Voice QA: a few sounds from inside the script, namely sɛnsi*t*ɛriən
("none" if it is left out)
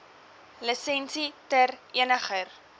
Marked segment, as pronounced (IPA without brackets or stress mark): t